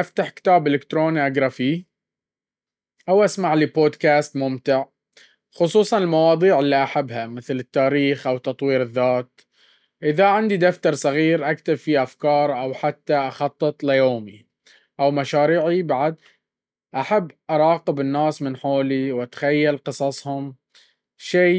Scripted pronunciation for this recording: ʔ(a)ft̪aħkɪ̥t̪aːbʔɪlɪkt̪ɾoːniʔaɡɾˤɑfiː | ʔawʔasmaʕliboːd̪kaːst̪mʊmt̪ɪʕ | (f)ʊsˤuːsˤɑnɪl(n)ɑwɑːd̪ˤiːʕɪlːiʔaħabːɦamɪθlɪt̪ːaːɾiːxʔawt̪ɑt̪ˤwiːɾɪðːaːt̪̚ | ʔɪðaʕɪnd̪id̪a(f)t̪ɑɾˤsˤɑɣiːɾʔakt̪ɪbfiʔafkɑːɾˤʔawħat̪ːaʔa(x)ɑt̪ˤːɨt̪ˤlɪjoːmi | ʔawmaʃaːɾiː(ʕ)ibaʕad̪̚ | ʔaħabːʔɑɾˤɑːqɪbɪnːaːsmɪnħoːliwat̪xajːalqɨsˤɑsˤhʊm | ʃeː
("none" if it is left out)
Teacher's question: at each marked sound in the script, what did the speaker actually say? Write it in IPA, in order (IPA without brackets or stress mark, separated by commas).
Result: a, x, m, f, x, ʕ